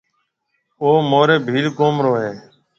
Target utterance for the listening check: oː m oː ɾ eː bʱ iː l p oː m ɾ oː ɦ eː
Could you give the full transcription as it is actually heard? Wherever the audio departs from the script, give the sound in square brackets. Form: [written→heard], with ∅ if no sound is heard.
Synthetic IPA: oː m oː ɾ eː bʱ iː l [p→k] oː m ɾ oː ɦ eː